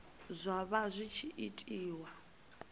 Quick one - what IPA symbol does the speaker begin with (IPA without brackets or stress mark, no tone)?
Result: zʷ